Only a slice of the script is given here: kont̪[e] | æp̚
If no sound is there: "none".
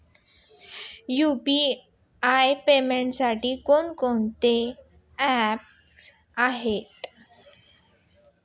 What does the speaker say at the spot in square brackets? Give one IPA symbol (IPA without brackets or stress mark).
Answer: e